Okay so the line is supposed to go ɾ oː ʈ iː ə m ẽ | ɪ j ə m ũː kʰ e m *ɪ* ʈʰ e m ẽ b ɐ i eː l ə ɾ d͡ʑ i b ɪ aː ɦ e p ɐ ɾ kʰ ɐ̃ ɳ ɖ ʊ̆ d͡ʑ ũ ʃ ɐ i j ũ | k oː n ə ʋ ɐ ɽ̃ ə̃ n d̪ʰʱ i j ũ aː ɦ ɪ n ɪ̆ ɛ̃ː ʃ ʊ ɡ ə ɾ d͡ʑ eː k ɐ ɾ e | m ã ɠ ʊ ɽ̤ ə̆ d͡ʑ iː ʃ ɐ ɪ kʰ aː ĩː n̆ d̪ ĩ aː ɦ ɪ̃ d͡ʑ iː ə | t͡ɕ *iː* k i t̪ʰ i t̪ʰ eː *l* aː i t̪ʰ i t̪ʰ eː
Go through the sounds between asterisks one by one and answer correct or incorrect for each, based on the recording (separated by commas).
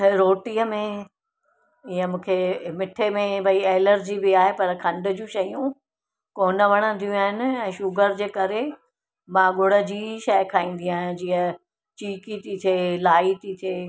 correct, correct, correct